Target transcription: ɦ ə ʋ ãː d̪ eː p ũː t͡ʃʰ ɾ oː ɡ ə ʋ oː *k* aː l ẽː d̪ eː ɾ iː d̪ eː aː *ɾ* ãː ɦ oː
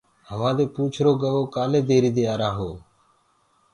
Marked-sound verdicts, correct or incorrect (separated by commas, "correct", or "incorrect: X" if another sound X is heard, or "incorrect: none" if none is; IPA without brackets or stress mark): correct, correct